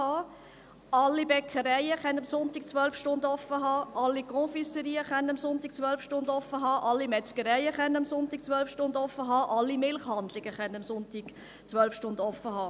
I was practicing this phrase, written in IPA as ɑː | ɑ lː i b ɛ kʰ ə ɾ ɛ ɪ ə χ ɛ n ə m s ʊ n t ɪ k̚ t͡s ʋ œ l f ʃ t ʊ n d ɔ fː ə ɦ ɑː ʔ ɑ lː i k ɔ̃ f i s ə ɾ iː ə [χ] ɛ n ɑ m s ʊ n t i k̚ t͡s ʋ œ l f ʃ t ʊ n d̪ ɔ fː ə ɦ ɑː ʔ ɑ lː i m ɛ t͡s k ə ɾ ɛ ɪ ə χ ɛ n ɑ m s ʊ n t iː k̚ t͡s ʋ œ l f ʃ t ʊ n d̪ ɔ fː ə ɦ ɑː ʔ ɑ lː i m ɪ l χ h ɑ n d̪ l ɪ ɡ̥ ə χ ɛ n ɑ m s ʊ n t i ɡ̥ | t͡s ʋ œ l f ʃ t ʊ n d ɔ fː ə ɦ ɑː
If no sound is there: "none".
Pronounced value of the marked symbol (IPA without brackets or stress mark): χ